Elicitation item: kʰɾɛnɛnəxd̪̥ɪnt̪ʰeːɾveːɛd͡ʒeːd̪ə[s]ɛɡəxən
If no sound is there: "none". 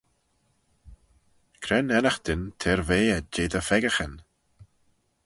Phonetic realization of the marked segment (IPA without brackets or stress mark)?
f